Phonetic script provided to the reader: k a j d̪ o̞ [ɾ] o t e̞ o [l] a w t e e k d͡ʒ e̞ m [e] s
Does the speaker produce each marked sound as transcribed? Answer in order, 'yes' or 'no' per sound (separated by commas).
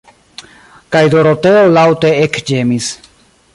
yes, yes, no